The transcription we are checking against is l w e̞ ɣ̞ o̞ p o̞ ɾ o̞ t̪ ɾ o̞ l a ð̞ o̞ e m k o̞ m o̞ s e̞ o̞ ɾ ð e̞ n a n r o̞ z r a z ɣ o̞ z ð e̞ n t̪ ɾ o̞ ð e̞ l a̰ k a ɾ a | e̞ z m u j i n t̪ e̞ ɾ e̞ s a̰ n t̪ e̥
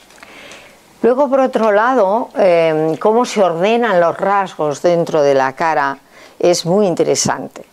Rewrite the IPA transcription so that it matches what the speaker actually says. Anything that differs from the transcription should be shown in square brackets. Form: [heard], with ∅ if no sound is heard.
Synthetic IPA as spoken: l w e̞ ɣ̞ o̞ p o̞ ɾ o̞ t̪ ɾ o̞ l a ð̞ o̞ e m k o̞ m o̞ s e̞ o̞ ɾ ð e̞ n a n [l] o̞ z r a z ɣ o̞ z ð e̞ n t̪ ɾ o̞ ð e̞ l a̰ k a ɾ a | e̞ z m u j i n t̪ e̞ ɾ e̞ s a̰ n t̪ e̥